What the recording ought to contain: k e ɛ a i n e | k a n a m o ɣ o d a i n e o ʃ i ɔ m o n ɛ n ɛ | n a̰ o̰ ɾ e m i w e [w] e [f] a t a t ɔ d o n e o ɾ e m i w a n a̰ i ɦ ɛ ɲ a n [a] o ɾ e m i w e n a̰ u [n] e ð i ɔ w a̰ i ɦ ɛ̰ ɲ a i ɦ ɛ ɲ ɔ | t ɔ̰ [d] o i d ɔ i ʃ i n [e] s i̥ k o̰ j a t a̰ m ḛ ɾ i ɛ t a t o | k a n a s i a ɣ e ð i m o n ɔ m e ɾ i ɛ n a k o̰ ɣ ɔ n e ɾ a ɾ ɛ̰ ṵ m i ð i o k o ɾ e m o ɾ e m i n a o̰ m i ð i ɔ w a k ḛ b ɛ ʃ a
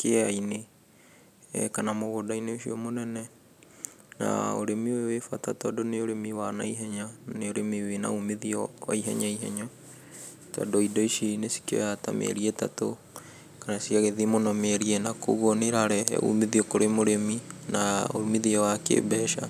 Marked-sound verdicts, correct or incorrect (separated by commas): correct, correct, incorrect, incorrect, correct, correct